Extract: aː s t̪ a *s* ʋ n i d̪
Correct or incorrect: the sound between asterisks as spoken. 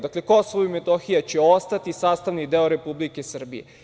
incorrect: none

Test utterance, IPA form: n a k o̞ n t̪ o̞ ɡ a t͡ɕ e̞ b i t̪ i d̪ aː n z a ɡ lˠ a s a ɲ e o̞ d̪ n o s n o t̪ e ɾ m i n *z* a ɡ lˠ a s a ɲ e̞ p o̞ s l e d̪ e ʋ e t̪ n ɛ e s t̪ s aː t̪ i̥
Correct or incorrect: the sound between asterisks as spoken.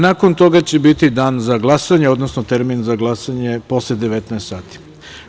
correct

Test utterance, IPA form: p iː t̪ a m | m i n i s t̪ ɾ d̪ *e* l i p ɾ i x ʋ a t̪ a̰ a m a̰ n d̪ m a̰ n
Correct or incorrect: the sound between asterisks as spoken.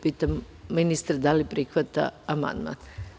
incorrect: a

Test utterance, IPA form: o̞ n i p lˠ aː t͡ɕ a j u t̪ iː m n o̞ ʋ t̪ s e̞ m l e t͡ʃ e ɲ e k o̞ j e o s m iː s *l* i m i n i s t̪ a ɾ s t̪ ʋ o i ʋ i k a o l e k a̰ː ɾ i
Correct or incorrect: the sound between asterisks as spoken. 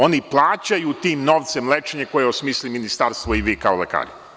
correct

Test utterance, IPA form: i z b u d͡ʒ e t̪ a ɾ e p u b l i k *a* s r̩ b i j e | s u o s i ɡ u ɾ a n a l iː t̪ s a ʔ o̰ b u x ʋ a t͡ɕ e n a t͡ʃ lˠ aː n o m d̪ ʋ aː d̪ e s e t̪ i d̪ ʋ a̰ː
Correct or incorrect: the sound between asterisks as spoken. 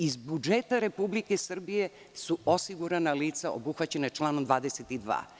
incorrect: e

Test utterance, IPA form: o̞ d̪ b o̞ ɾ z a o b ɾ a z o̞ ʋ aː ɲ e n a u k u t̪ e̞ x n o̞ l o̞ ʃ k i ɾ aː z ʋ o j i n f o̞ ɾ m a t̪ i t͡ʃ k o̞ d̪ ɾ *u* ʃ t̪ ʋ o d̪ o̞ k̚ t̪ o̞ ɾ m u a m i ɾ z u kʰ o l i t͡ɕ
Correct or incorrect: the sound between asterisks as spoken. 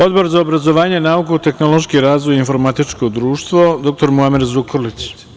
incorrect: uː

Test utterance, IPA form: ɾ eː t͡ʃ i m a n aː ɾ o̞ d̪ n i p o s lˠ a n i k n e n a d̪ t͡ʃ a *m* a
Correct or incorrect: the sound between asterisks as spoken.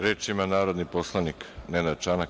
incorrect: n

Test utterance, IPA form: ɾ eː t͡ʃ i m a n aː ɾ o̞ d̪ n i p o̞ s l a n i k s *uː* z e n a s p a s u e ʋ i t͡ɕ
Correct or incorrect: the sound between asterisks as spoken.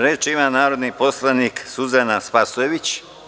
incorrect: u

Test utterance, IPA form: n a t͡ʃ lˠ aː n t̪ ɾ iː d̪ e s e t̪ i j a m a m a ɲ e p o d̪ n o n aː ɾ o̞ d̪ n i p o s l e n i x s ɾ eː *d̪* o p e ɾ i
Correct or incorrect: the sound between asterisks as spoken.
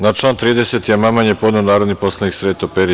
incorrect: t̪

